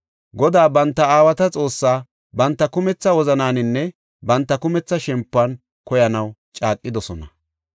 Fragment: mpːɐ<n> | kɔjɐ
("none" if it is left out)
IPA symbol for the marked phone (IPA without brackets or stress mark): n